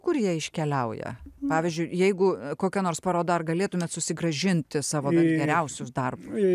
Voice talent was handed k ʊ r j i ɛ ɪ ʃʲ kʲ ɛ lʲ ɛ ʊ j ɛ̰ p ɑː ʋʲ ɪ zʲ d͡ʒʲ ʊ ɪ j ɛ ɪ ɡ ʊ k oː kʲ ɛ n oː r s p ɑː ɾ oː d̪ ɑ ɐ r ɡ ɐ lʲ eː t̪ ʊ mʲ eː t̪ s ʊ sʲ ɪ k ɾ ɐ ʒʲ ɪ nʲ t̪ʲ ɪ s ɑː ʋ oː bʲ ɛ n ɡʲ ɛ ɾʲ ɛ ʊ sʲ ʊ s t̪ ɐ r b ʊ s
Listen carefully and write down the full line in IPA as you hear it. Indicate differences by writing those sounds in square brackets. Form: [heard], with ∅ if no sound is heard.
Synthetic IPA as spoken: k ʊ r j i ɛ ɪ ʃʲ kʲ ɛ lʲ ɛ ʊ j ɛ̰ p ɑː ʋʲ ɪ zʲ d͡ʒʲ ʊ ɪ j ɛ ɪ ɡ ʊ k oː kʲ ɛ n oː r s p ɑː ɾ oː d̪ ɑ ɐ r ɡ ɐ lʲ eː t̪ ʊ mʲ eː t̪ s ʊ sʲ ɪ [ɡ] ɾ ɐ ʒʲ ɪ nʲ t̪ʲ ɪ s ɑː ʋ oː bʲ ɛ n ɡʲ ɛ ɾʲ ɛ ʊ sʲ ʊ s [d̪] ɐ r b ʊ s

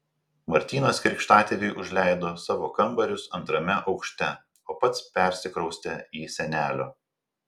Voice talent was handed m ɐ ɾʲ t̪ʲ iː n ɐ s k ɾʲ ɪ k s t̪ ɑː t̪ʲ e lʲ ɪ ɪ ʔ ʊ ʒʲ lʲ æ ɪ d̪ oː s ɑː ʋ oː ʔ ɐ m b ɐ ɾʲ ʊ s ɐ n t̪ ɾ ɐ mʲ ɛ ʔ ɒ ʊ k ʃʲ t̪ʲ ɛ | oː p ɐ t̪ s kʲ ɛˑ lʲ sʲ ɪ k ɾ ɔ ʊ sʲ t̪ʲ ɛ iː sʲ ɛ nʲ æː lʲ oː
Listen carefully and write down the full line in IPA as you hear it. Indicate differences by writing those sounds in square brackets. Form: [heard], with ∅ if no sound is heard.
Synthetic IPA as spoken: m ɐ ɾʲ t̪ʲ iː n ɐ s k ɾʲ ɪ k [ʃ] t̪ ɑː t̪ʲ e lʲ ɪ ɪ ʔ ʊ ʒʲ lʲ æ ɪ d̪ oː s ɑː ʋ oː [k] ɐ m b ɐ ɾʲ ʊ s ɐ n t̪ ɾ ɐ mʲ ɛ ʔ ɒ ʊ k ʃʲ t̪ʲ ɛ | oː p ɐ t̪ s [pʲ] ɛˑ [ɾʲ] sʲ ɪ k ɾ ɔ ʊ sʲ t̪ʲ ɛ iː sʲ ɛ nʲ æː lʲ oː

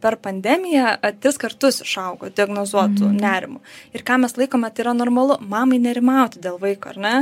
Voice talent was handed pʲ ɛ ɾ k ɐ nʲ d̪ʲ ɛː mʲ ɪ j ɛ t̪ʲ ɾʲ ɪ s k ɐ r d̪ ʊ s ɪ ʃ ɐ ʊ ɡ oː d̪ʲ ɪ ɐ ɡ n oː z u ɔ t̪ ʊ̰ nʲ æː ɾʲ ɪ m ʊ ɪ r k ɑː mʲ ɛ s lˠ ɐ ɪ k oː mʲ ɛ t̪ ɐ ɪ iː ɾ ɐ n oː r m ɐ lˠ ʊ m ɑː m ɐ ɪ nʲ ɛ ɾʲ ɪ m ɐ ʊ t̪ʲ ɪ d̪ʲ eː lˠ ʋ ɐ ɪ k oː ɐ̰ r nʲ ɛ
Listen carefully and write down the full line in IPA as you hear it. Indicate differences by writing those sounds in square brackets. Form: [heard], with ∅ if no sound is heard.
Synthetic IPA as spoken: pʲ ɛ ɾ [p] ɐ nʲ d̪ʲ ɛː mʲ ɪ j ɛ t̪ʲ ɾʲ ɪ s k ɐ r [t̪] ʊ s ɪ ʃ ɐ ʊ ɡ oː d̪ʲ ɪ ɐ ɡ n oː z u ɔ t̪ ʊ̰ nʲ æː ɾʲ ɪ m ʊ ɪ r k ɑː mʲ ɛ s lˠ ɐ ɪ k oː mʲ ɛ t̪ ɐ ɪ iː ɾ ɐ n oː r m ɐ lˠ ʊ m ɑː m ɐ ɪ nʲ ɛ ɾʲ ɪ m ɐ ʊ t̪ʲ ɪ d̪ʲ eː lˠ ʋ ɐ ɪ k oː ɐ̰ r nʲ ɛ

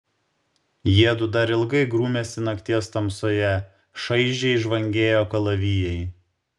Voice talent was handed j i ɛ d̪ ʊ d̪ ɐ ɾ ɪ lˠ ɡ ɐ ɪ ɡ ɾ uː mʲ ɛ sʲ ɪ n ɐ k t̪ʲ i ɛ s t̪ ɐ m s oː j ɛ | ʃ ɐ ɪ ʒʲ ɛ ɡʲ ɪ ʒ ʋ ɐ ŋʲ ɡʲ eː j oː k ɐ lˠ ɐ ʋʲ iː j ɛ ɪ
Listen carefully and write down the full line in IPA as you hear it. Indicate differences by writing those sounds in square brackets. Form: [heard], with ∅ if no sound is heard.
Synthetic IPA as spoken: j i ɛ d̪ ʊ d̪ ɐ ɾ ɪ lˠ ɡ ɐ ɪ ɡ ɾ uː mʲ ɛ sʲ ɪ n ɐ k t̪ʲ i ɛ s t̪ ɐ m s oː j ɛ | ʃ ɐ ɪ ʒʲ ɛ [∅] ɪ ʒ ʋ ɐ ŋʲ ɡʲ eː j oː k ɐ lˠ ɐ ʋʲ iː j ɛ ɪ

